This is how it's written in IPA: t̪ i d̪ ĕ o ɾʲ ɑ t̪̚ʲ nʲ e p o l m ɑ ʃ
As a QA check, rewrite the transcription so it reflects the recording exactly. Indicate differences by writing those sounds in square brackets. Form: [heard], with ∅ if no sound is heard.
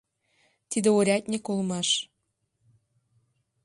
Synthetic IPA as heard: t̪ i d̪ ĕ o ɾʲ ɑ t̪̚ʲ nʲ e [k] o l m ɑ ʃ